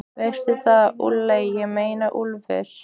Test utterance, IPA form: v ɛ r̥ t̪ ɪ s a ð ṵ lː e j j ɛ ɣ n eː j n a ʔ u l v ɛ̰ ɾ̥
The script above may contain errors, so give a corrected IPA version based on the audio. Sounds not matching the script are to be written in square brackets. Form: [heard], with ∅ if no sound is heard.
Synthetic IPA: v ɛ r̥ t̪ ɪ [θ] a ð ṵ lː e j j ɛ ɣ [m] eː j n a ʔ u l v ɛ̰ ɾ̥